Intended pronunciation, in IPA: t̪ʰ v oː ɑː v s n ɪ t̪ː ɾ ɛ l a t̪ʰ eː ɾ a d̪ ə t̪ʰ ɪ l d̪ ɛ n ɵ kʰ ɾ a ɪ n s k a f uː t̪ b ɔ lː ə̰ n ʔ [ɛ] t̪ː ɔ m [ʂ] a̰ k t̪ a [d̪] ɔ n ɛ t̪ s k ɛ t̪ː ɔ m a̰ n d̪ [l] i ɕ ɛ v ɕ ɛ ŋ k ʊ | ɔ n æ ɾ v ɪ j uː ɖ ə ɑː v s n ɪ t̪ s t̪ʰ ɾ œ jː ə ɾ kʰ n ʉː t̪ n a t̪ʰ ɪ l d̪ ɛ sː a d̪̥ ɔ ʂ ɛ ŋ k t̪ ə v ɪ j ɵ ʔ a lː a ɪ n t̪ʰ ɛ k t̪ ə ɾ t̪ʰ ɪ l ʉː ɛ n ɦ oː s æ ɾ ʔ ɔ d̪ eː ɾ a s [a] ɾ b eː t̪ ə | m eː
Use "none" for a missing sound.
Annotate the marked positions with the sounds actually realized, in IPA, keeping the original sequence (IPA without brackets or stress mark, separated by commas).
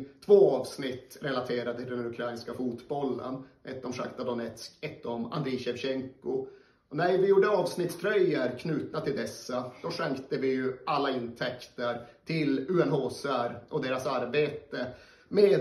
ɛ, ʂ, d̪, ɾ, a